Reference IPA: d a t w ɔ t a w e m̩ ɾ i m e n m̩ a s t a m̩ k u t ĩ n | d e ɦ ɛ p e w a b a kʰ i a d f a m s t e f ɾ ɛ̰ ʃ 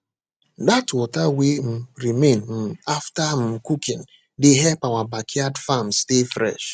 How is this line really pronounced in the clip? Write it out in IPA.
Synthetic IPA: d a t w ɔ t a w e m̩ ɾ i m e n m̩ a f t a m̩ k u k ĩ n | d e ɦ ɛ p a w a b a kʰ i a d f a m s t e f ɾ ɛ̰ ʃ

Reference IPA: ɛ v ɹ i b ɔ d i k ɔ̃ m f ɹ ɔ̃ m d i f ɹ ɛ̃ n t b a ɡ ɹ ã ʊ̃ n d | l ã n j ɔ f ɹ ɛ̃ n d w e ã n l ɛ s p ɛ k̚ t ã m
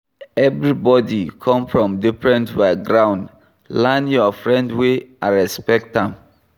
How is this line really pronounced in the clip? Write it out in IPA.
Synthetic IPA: ɛ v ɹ i b ɔ d i kʰ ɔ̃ m f ɹ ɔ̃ m d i f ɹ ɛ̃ n t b a ɡ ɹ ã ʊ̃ n d | l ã n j ɔ f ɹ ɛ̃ n d w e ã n ɹ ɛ s p ɛ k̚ t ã m

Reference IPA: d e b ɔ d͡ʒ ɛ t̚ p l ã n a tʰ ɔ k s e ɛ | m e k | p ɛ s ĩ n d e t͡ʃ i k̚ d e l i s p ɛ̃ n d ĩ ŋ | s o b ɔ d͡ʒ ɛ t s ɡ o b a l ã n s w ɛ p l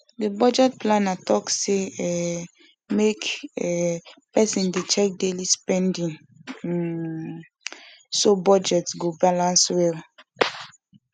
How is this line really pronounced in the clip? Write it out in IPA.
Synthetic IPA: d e b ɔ d͡ʒ ɛ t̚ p l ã n a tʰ ɔ k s e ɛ | m e k | p ɛ s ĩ n d e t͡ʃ ɛ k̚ d e l i s p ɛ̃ n d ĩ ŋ | s o b ɔ d͡ʒ ɛ t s ɡ o b a l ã n s w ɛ l

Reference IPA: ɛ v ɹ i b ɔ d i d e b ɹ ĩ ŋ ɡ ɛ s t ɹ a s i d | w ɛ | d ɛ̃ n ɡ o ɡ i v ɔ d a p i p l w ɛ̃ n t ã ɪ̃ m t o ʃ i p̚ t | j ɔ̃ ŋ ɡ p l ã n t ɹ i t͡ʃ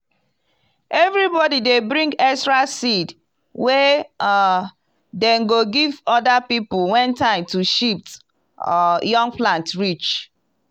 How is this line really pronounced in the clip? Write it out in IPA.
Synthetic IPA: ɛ v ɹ i b ɔ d i d e b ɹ ĩ ŋ ɡ ɛ s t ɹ a s i d | w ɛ | d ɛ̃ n ɡ o ɡ i v ɔ d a p i p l w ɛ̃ n t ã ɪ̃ m t u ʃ i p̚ t | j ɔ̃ ŋ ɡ p l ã n t ɹ i t͡ʃ

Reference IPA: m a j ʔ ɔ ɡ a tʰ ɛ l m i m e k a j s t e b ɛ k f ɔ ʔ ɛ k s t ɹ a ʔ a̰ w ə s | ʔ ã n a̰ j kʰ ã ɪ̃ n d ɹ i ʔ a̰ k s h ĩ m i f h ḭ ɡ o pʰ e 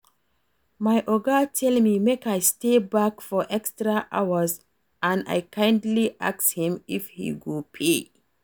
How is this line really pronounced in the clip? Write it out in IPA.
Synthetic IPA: m a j ʔ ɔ ɡ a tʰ ɛ l m i m e k a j s t e b a k f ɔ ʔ ɛ k s t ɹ a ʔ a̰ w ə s | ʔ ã n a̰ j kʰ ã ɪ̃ n d l i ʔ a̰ k s h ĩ m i f h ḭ ɡ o pʰ e

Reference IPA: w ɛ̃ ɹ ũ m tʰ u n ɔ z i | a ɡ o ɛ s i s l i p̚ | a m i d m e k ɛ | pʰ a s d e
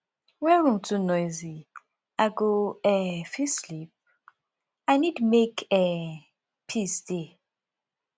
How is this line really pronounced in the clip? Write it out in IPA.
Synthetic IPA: w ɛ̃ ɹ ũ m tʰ u n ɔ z i | a ɡ o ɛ f i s l i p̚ | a n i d m e k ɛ | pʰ i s d e

